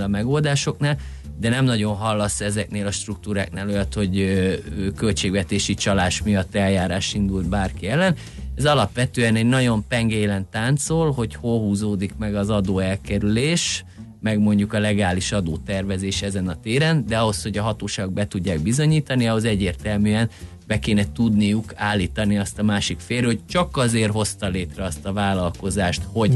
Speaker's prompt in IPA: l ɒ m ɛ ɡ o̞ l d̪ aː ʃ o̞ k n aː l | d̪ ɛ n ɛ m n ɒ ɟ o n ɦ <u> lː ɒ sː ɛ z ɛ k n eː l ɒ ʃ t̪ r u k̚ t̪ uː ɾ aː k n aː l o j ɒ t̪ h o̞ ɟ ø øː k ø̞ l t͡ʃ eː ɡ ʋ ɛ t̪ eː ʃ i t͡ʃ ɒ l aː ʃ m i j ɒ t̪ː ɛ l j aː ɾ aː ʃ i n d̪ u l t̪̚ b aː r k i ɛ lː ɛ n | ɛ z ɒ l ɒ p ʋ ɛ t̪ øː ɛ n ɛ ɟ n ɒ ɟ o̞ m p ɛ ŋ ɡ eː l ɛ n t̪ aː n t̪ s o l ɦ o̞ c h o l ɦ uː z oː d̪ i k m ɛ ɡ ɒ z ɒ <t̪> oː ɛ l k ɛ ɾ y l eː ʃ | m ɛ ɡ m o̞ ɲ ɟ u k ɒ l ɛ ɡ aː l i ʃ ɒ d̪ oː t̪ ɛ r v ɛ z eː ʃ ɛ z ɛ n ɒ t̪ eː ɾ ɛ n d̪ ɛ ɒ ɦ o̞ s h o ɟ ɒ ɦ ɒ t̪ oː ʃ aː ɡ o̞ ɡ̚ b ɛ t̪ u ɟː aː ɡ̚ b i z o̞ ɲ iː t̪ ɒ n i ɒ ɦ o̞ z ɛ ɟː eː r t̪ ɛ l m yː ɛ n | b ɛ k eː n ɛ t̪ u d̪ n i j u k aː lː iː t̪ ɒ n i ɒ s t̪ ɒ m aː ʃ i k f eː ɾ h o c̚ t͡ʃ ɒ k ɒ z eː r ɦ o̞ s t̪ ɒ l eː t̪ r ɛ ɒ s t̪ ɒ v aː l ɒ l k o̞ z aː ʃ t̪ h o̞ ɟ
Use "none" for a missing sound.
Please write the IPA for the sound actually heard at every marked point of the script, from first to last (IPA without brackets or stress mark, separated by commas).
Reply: ɒ, d̪